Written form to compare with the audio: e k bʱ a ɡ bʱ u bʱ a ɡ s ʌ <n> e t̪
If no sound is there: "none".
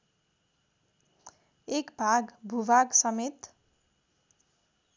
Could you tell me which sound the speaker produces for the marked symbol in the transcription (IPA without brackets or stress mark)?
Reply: m